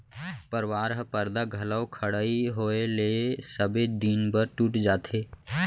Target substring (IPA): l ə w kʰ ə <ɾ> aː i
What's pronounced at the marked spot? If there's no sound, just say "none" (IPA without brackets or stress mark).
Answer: ɽ